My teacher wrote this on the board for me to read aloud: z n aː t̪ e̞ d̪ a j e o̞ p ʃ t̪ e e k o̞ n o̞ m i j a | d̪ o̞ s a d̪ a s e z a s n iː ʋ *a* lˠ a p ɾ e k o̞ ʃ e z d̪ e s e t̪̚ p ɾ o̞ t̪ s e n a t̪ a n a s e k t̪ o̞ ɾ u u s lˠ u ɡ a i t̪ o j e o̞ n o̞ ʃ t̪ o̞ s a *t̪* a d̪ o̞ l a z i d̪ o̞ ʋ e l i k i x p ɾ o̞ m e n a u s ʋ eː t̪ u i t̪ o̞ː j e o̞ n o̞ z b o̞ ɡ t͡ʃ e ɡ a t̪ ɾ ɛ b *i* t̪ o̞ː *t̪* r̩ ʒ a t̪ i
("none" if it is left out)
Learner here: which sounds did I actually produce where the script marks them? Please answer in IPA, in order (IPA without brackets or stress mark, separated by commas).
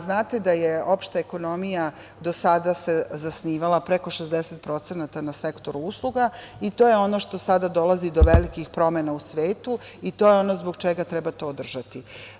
a, d̪, a, d̪